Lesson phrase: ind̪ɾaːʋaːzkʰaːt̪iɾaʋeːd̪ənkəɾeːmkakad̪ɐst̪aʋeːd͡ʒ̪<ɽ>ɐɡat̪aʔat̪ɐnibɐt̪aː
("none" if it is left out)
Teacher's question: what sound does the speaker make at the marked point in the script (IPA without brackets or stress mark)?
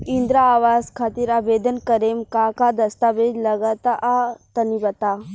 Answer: l